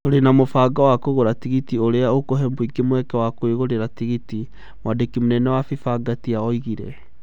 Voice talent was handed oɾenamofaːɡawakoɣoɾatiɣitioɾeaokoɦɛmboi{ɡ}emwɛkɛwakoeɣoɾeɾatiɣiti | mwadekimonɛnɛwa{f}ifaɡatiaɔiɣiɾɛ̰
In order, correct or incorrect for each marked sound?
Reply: correct, correct

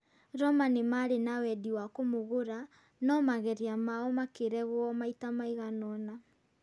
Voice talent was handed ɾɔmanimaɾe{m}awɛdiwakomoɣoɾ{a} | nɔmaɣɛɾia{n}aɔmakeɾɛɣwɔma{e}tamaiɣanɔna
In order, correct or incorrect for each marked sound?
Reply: incorrect, correct, incorrect, incorrect

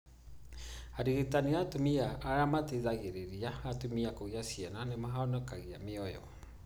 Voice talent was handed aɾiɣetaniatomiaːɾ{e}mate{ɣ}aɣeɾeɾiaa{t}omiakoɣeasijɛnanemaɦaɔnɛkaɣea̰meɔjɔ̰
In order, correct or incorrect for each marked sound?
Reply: incorrect, incorrect, correct

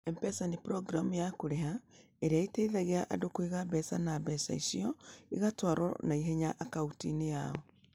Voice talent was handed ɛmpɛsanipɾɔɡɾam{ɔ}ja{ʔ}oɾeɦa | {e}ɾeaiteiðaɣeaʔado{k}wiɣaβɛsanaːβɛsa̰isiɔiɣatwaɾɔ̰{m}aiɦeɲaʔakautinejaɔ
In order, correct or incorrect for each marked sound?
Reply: incorrect, incorrect, correct, correct, incorrect

